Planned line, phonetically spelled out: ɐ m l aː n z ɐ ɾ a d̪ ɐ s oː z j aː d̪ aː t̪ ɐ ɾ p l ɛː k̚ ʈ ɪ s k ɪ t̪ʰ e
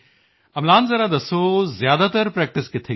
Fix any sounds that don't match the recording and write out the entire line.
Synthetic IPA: ɐ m l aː n z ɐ ɾ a d̪ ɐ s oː z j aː d̪ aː t̪ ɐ ɾ p ɾ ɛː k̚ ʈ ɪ s k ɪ t̪ʰ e